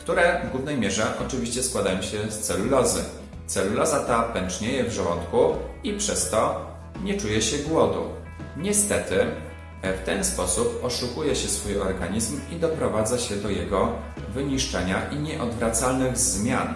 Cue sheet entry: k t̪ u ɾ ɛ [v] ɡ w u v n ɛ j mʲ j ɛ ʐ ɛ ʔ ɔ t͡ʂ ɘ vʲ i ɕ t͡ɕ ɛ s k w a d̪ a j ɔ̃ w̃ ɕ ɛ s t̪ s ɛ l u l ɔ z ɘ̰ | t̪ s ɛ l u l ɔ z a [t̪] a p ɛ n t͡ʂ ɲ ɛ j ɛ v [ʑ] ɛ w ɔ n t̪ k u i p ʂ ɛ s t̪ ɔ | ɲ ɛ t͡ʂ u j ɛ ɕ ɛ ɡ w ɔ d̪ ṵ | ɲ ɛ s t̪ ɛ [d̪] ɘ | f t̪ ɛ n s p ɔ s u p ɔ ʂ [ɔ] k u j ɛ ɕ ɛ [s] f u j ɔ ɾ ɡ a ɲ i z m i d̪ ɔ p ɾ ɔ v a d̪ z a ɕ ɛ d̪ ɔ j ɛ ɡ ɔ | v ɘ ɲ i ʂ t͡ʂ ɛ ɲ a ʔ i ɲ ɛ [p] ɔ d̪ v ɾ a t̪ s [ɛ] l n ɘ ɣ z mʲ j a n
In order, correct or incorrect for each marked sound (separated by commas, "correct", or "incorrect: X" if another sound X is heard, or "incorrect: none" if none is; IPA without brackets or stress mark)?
correct, correct, incorrect: ʐ, incorrect: t̪, incorrect: u, correct, incorrect: ʔ, incorrect: a